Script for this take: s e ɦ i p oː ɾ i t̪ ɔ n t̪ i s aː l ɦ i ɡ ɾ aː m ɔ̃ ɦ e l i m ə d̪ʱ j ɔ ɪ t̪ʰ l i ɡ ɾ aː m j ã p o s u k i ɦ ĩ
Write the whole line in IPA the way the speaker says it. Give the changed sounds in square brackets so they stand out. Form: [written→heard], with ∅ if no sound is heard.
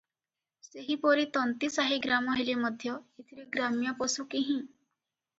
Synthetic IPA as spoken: s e ɦ i p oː ɾ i t̪ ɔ n t̪ i s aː [l→∅] ɦ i ɡ ɾ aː m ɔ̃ ɦ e l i m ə d̪ʱ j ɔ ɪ t̪ʰ [l→ɾ] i ɡ ɾ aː m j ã p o s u k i ɦ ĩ